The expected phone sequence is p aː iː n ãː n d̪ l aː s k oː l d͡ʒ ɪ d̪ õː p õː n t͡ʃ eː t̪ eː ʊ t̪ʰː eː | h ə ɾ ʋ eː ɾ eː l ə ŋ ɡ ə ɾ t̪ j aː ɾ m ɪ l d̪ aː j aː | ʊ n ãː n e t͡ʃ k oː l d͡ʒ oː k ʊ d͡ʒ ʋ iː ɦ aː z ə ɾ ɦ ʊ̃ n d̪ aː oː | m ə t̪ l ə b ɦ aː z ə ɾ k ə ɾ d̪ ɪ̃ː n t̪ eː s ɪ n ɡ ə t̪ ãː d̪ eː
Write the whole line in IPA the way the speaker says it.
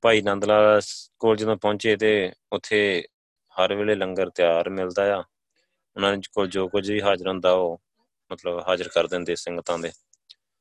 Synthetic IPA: p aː iː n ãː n d̪ l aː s k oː l d͡ʒ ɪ d̪ õː p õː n t͡ʃ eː t̪ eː ʊ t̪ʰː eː | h ə ɾ ʋ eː l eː l ə ŋ ɡ ə ɾ t̪ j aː ɾ m ɪ l d̪ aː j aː | ʊ n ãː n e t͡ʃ k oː l d͡ʒ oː k ʊ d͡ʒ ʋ iː ɦ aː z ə ɾ ɦ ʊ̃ n d̪ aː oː | m ə t̪ l ə b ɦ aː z ə ɾ k ə ɾ d̪ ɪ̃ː n d̪ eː s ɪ ŋ ɡ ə t̪ ãː d̪ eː